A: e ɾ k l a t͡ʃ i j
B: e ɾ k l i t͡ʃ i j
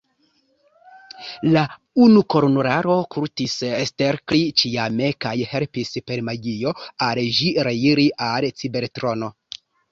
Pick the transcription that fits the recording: B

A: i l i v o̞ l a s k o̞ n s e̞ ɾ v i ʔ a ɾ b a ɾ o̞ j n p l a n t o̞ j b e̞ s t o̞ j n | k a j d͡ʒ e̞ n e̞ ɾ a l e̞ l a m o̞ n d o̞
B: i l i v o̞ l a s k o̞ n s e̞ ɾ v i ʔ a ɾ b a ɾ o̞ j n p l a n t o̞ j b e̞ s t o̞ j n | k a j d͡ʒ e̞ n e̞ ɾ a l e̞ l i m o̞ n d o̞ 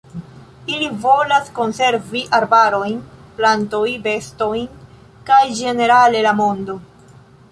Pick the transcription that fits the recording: A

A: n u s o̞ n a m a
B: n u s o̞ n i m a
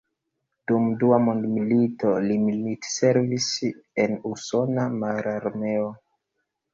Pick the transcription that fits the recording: A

